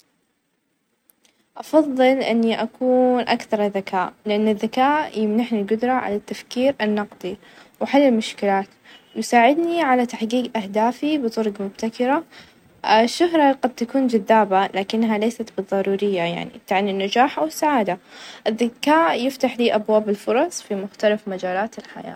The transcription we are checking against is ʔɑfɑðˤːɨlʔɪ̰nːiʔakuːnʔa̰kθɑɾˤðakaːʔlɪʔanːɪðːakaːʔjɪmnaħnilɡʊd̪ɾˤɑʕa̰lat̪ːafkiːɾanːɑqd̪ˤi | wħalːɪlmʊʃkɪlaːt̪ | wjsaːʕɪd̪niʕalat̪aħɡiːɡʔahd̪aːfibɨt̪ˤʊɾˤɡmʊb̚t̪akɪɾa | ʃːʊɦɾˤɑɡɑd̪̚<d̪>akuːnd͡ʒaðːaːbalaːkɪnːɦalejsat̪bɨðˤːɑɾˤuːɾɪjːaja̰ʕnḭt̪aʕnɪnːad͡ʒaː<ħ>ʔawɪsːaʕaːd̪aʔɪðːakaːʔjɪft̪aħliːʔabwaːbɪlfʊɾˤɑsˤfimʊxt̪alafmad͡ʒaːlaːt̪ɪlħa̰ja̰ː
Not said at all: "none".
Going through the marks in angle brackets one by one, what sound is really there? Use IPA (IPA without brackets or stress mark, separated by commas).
t̪, ħ